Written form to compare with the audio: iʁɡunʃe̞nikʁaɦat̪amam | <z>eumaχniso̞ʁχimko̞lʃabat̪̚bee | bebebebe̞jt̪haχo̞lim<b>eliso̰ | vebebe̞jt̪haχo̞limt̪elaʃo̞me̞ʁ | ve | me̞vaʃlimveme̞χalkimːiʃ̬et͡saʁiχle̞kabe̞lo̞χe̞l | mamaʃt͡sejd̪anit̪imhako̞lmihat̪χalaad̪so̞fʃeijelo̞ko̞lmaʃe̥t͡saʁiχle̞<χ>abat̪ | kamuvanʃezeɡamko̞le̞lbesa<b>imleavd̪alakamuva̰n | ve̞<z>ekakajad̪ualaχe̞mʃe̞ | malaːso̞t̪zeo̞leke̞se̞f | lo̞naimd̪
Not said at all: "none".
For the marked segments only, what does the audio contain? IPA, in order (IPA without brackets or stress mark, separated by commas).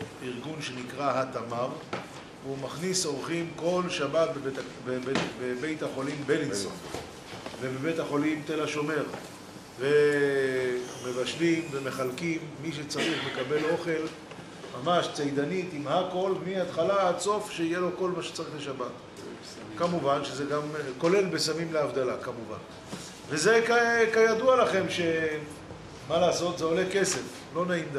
v, b, ʃ, m, z